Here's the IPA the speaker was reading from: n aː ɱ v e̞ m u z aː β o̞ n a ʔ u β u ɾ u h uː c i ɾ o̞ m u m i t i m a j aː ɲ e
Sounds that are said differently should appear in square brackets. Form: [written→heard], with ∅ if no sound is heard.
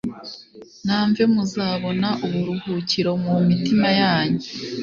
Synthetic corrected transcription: n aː ɱ v e̞ m u z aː β o̞ n a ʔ u β u ɾ u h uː c i ɾ o̞ m u m i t i m a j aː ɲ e